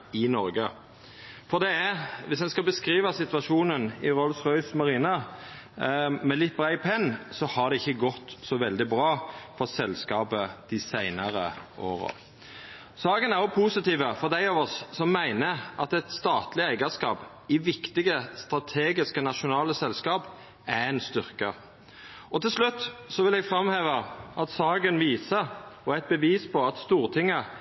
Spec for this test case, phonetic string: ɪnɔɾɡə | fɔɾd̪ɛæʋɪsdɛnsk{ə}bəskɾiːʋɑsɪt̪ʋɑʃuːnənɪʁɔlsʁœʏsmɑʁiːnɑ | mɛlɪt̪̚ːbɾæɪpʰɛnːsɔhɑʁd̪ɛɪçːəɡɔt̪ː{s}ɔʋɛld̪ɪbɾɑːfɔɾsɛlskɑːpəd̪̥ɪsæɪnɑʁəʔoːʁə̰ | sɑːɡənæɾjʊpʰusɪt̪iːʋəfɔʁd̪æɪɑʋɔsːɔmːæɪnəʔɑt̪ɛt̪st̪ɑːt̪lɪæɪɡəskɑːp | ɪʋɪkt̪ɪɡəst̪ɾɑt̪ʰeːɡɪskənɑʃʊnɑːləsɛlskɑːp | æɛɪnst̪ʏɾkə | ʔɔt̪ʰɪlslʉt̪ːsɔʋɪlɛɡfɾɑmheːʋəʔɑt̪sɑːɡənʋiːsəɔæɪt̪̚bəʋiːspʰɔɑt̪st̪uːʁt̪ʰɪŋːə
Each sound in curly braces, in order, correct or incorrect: incorrect, correct

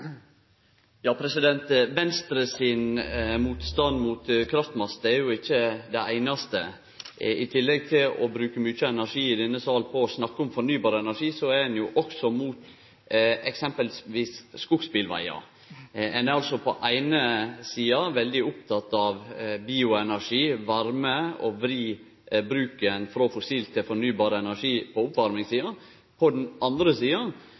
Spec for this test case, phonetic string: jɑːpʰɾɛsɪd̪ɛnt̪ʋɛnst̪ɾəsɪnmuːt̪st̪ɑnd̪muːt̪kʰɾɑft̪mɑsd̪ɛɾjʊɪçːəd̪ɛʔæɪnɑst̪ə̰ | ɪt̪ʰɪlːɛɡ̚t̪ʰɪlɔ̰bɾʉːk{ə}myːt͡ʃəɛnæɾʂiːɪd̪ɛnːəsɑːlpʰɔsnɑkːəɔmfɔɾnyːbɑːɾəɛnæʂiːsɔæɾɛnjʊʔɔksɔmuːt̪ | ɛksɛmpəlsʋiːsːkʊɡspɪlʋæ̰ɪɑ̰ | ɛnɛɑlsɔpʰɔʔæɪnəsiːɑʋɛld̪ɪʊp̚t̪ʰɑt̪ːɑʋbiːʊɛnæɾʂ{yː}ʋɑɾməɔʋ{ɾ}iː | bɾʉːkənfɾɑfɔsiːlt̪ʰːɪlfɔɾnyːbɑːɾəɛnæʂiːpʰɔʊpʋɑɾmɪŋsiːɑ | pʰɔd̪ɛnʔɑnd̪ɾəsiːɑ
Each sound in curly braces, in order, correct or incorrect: correct, incorrect, correct

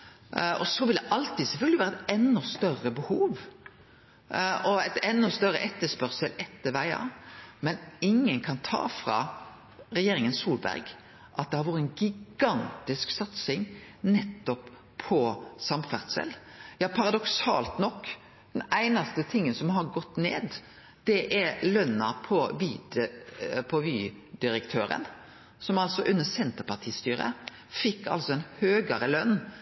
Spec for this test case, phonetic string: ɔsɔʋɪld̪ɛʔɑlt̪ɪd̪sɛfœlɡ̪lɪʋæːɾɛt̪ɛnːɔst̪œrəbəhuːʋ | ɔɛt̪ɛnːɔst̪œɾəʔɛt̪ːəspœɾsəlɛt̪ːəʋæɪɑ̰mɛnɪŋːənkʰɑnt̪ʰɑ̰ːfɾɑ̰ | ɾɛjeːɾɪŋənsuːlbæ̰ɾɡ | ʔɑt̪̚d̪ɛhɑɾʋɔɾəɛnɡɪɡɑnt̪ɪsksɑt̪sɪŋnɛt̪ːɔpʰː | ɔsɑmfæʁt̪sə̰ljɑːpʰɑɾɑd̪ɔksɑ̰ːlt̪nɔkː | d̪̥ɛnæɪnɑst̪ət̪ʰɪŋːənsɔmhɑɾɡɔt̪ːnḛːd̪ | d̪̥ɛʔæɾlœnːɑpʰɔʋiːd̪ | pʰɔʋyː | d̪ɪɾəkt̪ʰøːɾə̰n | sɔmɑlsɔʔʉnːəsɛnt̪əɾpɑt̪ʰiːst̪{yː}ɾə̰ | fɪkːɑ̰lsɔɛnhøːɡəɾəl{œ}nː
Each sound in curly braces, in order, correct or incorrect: correct, correct

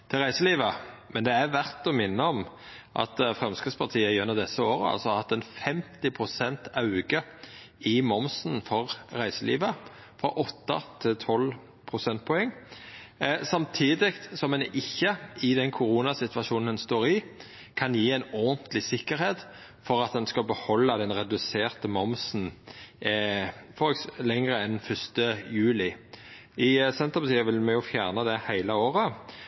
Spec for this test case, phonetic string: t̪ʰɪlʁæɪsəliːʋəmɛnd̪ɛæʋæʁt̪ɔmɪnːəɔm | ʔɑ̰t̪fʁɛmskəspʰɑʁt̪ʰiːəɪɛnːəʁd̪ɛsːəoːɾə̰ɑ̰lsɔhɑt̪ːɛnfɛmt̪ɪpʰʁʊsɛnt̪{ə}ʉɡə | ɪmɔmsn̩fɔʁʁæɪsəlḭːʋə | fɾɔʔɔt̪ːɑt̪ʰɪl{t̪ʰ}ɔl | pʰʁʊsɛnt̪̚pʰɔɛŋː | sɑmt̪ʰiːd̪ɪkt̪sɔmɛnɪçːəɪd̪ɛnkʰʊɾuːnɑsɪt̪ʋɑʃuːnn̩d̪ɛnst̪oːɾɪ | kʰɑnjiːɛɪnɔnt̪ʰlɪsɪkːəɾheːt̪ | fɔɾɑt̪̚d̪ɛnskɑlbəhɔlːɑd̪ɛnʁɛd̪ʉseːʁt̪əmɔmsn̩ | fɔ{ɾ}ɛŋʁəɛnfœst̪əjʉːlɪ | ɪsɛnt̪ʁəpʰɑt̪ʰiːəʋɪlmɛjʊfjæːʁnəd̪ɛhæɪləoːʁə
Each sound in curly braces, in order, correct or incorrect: incorrect, correct, incorrect

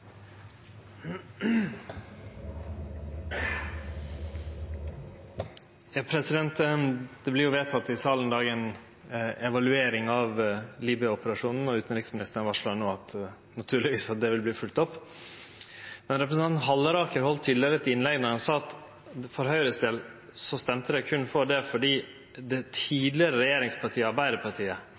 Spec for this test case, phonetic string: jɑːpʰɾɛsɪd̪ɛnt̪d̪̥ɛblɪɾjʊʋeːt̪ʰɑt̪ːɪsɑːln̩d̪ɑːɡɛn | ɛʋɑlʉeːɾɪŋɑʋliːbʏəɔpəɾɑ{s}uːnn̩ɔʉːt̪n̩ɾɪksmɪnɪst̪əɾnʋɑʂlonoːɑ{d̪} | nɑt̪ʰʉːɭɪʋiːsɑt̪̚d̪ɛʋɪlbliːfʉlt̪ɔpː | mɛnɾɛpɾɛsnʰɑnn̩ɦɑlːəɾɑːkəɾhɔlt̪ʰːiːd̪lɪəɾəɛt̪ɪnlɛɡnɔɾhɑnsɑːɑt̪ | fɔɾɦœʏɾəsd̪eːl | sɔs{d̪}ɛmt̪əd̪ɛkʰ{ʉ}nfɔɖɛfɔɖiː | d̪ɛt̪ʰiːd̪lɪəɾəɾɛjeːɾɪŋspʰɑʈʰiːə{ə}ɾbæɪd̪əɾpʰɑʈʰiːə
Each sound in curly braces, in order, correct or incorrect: incorrect, incorrect, incorrect, correct, incorrect

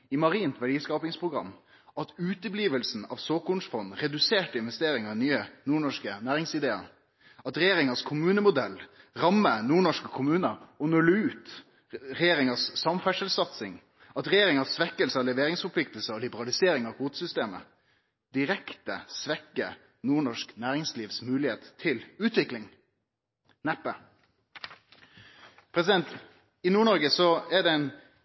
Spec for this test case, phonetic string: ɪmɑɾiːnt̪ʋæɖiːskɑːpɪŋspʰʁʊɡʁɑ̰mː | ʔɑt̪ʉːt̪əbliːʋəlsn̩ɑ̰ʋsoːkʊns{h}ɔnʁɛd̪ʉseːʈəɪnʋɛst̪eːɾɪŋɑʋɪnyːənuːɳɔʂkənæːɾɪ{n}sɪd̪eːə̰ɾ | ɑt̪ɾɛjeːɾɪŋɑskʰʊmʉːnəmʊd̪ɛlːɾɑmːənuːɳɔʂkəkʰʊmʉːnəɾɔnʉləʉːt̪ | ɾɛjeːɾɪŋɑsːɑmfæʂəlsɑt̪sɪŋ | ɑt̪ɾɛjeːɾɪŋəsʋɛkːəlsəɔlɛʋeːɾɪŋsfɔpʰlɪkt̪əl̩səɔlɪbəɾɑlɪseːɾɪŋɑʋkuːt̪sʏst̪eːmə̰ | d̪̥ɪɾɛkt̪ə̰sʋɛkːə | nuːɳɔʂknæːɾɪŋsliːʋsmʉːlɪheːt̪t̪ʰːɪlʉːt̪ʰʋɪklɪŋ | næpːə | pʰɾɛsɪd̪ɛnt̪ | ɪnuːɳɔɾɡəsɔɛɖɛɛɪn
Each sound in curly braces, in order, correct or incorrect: incorrect, incorrect

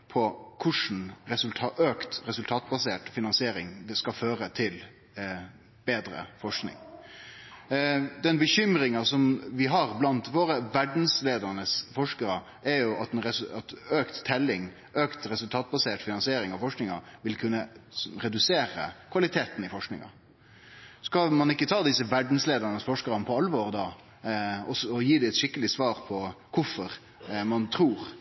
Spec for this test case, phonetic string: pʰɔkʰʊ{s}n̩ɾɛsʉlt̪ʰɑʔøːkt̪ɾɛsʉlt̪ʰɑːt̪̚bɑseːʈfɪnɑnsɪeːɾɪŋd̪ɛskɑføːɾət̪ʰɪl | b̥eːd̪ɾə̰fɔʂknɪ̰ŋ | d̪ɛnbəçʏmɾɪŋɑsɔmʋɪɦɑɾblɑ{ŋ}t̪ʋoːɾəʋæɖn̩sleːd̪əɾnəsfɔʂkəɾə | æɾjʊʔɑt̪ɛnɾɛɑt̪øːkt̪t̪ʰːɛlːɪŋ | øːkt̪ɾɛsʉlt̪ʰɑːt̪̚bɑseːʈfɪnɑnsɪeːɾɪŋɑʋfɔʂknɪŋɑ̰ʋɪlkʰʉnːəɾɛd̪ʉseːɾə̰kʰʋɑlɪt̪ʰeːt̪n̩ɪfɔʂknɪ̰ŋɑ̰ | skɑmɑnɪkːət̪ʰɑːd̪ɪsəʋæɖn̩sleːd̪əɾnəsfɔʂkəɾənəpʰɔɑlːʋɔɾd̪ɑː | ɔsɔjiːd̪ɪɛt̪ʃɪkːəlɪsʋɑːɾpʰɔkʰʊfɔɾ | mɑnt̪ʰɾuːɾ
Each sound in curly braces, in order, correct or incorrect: incorrect, incorrect

